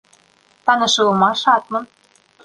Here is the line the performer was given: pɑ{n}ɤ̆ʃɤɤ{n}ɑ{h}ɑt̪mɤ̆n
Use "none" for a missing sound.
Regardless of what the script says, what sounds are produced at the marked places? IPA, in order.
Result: n, m, ʃ

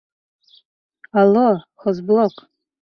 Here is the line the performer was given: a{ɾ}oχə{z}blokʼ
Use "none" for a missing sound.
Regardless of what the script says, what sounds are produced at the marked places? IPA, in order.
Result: l, z

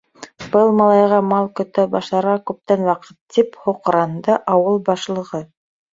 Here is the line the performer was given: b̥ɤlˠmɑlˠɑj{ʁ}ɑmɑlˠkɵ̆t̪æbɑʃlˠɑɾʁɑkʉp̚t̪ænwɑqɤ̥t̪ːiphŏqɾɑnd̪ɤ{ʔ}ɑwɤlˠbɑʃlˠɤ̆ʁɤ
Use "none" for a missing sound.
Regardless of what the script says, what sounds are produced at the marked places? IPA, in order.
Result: ʁ, ʔ

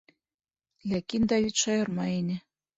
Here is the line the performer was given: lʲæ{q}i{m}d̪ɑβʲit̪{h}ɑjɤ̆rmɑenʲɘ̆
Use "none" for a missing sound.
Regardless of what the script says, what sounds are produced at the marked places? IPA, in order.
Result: k, n, ʃ

